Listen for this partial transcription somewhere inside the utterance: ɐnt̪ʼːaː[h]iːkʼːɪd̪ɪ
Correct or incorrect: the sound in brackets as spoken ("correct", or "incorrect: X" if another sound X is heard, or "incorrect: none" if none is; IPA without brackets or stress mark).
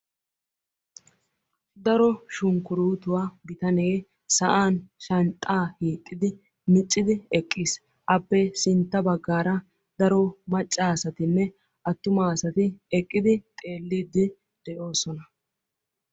correct